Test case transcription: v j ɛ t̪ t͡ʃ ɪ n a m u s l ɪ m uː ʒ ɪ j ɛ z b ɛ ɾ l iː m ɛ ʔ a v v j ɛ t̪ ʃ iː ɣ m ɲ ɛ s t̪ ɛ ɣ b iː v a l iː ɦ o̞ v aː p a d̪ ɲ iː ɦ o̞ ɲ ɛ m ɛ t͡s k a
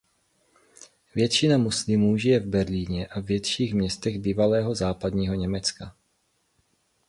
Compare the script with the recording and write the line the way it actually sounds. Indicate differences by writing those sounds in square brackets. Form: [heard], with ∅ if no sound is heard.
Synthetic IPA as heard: v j ɛ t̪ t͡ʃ ɪ n a m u s l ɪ m uː ʒ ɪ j ɛ [v] b ɛ ɾ l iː [ɲ] ɛ ʔ a v v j ɛ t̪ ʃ iː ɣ m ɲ ɛ s t̪ ɛ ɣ b iː v a l [ɛː] ɦ o̞ [z] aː p a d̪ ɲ iː ɦ o̞ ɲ ɛ m ɛ t͡s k a

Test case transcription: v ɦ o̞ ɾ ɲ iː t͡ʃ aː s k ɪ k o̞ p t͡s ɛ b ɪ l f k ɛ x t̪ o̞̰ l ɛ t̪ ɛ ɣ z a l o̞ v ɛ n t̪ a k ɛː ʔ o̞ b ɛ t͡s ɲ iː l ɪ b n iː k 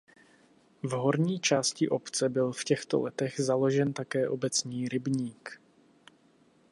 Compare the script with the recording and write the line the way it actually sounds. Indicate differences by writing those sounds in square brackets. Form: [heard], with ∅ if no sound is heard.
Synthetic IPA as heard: v ɦ o̞ ɾ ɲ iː t͡ʃ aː s [c] ɪ [ʔ] o̞ p t͡s ɛ b ɪ l f [c] ɛ x t̪ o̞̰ l ɛ t̪ ɛ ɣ z a l o̞ [ʒ] ɛ n t̪ a k ɛː ʔ o̞ b ɛ t͡s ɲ iː [ɾ] ɪ b [ɲ] iː k

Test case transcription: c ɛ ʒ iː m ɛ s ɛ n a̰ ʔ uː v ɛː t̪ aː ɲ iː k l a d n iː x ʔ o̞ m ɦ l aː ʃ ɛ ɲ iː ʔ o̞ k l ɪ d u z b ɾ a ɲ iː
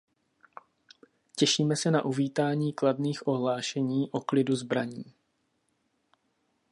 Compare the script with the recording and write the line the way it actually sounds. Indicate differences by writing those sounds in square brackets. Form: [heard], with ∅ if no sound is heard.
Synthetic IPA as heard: c ɛ [ʃ] iː m ɛ s ɛ n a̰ ʔ [u] v [iː] t̪ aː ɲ iː k l a d n iː x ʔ o̞ [∅] ɦ l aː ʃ ɛ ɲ iː ʔ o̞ k l ɪ d u z b ɾ a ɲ iː

